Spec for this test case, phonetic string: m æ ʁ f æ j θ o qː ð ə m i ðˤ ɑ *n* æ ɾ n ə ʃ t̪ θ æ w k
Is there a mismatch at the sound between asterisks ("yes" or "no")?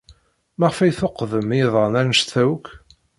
no